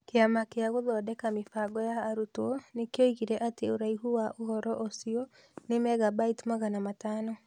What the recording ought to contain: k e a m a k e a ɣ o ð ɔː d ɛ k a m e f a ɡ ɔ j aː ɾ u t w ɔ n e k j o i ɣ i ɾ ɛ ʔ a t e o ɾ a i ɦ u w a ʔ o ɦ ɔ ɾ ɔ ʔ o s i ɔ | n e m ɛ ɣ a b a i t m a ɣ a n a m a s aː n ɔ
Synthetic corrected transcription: k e a m a k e a ɣ o ð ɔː d ɛ k a m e f a ɡ ɔ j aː ɾ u t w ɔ n e k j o i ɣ i ɾ ɛ ʔ a t e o ɾ a i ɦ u w a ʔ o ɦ ɔ ɾ ɔ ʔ o s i ɔ | n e m ɛ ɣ a b a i t m a ɣ a n a m a t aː n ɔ